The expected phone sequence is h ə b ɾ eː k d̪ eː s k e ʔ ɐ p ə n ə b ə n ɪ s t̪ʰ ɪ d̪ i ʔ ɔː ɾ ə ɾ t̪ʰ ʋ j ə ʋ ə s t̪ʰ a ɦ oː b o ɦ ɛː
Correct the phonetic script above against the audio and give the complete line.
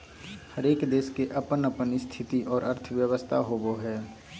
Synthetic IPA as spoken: h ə ɾ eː k d̪ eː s k e ʔ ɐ p ə n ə p ə n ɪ s t̪ʰ ɪ t̪ i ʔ ɔː ɾ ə ɾ t̪ʰ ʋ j ə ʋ ə s t̪ʰ a ɦ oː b o ɦ ɛː